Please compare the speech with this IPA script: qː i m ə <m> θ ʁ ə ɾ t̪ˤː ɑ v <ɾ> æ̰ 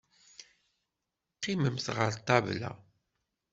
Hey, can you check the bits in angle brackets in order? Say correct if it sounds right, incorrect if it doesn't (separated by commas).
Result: correct, incorrect